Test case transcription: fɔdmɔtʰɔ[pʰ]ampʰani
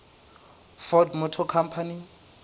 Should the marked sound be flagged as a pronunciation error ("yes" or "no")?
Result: yes